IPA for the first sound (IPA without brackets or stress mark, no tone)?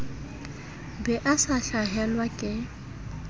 b